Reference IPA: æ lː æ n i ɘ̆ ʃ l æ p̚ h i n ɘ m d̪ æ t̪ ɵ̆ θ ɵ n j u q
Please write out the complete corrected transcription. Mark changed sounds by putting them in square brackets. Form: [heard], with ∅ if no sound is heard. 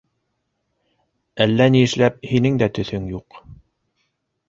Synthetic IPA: æ lː æ n i ɘ̆ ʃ l æ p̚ h i n ɘ [ŋ] d̪ æ t̪ ɵ̆ θ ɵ [ŋ] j u q